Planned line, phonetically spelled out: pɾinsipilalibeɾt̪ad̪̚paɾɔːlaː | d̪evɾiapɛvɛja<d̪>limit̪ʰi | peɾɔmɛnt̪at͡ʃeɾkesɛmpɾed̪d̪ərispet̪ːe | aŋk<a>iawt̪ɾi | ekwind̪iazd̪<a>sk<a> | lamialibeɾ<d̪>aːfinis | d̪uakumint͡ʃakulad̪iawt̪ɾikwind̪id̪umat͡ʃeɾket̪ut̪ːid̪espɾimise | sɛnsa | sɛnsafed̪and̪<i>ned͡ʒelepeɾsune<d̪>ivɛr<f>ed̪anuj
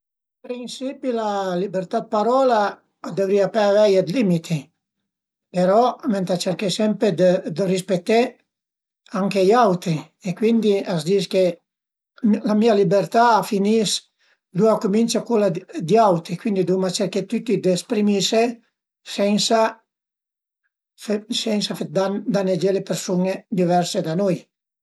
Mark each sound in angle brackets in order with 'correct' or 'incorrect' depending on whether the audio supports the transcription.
correct, incorrect: e, incorrect: i, incorrect: e, incorrect: t̪, incorrect: a, correct, incorrect: s

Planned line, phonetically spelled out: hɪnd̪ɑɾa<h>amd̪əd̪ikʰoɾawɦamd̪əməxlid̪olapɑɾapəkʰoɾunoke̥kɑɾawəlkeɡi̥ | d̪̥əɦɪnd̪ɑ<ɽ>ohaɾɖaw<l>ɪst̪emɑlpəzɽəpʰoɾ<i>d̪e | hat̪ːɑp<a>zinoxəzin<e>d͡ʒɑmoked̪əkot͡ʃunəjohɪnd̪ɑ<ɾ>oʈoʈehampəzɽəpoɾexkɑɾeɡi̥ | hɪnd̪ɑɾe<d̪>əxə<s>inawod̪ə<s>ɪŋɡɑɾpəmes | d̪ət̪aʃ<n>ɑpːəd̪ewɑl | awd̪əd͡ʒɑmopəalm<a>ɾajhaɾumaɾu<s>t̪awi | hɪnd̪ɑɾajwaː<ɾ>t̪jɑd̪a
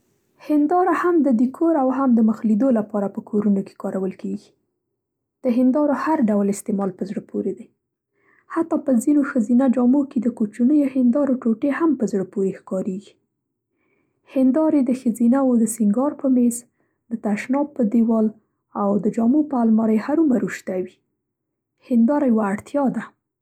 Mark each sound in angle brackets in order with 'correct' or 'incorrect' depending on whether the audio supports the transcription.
correct, incorrect: ɾ, correct, incorrect: e, incorrect: ə, incorrect: a, correct, correct, incorrect: z, correct, correct, incorrect: ɑ, incorrect: ʃ, incorrect: ɽ

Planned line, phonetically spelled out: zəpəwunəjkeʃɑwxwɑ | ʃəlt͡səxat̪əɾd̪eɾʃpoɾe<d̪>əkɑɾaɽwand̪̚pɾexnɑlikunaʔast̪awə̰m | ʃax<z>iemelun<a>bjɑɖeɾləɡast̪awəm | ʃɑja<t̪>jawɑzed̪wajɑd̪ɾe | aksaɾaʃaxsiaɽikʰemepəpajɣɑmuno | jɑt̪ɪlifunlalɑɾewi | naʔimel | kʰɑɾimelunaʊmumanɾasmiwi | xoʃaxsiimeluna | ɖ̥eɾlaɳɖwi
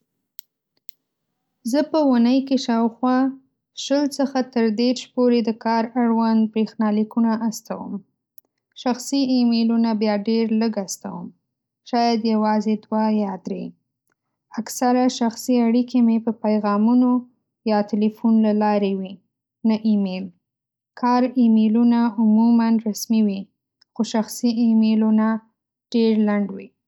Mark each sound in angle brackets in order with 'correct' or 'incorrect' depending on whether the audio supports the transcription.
correct, incorrect: s, correct, incorrect: d̪

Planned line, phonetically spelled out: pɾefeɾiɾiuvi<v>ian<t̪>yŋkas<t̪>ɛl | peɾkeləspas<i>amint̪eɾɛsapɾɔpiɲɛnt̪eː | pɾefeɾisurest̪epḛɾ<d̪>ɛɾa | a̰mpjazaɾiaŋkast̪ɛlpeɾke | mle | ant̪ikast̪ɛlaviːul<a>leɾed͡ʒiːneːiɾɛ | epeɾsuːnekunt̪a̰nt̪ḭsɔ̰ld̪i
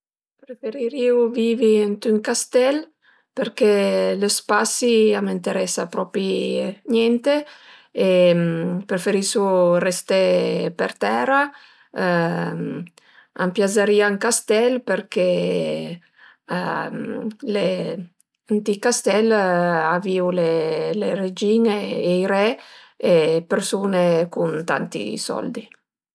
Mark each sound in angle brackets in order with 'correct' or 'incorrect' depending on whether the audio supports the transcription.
correct, correct, correct, correct, incorrect: t̪, incorrect: e

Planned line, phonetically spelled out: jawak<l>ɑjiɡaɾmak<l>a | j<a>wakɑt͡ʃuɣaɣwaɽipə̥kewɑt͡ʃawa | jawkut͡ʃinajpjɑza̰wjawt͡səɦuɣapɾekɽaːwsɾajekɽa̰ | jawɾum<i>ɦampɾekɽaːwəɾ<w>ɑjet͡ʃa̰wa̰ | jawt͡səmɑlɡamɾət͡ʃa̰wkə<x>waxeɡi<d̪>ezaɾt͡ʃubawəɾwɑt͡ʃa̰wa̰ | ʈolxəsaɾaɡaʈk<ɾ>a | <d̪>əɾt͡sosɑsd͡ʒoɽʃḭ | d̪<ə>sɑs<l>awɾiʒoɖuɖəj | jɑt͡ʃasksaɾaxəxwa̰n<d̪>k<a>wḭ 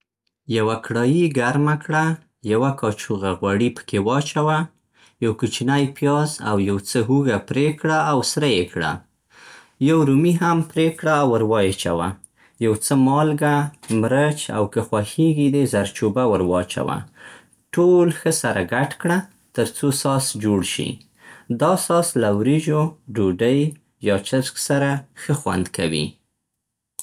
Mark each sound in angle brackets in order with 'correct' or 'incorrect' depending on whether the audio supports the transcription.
incorrect: ɽ, incorrect: ɽ, correct, correct, correct, correct, correct, incorrect: ɽ, incorrect: t̪, incorrect: ɑ, correct, correct, correct

